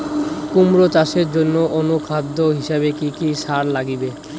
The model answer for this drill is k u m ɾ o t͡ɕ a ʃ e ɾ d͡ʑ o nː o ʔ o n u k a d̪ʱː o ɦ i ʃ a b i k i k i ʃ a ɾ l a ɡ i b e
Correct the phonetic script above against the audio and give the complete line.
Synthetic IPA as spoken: k u m ɾ o t͡ɕ a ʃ e ɾ d͡ʑ o nː o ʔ o n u kʰ a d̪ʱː o ɦ i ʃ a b e k i k i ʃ a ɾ l a ɡ i b e